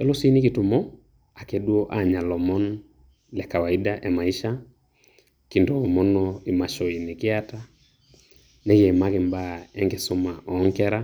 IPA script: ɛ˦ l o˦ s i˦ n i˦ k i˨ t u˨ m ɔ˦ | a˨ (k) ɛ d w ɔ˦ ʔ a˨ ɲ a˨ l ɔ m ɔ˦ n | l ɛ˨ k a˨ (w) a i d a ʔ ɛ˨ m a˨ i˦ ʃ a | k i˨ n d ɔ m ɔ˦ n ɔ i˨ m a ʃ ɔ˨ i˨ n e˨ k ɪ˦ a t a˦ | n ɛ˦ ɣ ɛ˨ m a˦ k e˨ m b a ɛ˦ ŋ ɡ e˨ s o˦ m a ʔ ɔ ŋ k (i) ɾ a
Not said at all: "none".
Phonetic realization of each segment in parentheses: k, w, ɛ

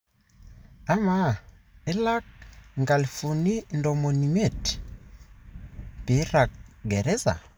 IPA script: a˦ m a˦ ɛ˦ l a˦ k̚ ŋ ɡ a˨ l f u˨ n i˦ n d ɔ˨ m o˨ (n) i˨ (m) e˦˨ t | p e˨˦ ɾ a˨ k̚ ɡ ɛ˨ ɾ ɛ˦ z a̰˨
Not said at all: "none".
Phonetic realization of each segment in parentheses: n, m

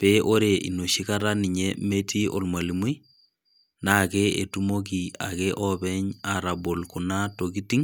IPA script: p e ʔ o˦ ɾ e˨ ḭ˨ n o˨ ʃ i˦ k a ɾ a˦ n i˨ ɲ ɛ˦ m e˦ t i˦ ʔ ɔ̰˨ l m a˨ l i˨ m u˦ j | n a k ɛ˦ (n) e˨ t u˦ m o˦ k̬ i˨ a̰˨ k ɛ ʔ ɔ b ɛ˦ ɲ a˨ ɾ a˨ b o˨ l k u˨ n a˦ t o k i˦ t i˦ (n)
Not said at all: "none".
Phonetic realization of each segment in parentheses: none, ŋ

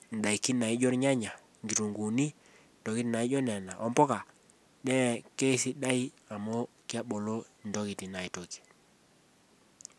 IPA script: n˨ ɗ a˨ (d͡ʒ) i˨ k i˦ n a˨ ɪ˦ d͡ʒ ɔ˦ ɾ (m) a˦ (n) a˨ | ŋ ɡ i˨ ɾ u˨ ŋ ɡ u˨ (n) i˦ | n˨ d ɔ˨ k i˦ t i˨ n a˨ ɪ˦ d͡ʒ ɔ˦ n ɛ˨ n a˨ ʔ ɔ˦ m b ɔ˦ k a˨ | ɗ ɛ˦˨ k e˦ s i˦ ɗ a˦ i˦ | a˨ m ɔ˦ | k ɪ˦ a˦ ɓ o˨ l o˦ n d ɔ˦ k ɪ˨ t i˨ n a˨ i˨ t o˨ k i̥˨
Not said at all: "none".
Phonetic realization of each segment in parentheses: none, ɲ, ɲ, n

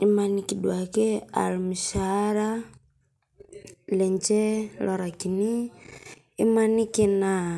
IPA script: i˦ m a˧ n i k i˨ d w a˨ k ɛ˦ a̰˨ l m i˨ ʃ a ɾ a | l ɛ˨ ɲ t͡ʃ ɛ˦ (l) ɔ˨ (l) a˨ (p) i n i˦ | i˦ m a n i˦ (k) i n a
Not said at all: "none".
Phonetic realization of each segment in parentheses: l, ɾ, k, k

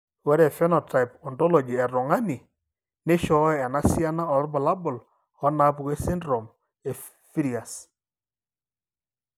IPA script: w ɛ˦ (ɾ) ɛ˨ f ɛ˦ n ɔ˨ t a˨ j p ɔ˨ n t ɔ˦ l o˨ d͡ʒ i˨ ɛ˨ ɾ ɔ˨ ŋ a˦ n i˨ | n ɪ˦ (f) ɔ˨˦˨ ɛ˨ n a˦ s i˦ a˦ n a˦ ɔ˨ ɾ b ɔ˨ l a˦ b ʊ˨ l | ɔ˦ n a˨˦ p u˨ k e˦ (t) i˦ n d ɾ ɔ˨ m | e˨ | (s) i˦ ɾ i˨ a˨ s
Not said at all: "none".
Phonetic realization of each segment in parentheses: ɾ, ʃ, s, f

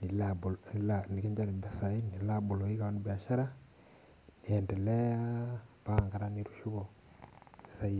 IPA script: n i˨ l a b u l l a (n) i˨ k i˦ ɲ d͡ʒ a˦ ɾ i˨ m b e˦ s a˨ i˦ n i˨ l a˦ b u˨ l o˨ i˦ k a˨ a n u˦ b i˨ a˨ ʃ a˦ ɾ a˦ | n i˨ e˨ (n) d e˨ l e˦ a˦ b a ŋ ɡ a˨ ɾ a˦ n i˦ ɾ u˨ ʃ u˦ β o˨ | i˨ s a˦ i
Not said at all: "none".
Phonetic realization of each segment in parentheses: n, n

